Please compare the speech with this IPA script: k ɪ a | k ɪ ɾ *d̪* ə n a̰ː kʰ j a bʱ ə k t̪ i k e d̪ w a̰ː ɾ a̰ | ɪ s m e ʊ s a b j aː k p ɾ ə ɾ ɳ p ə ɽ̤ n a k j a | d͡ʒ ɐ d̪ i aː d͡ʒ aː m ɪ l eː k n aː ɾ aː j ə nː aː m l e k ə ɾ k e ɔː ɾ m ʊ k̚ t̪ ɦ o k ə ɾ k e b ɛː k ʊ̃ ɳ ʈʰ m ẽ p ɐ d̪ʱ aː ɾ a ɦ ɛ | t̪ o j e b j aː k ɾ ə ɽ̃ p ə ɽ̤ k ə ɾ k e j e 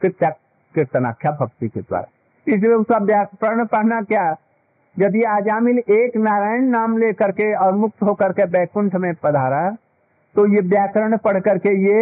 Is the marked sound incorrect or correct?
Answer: incorrect